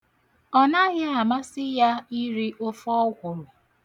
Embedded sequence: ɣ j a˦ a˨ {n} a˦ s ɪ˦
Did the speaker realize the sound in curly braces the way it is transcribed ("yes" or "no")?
no